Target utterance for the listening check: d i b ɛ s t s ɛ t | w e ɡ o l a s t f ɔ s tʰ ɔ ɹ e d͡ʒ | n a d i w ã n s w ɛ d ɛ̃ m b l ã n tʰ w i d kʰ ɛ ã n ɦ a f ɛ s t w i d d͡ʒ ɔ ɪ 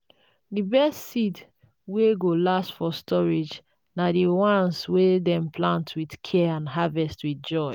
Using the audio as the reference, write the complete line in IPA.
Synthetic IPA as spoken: d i b ɛ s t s i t | w e ɡ o l a s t f ɔ s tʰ ɔ ɹ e d͡ʒ | n a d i w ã n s w e d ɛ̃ m p l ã n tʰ w i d kʰ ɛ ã n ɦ a v ɛ s t w i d d͡ʒ ɔ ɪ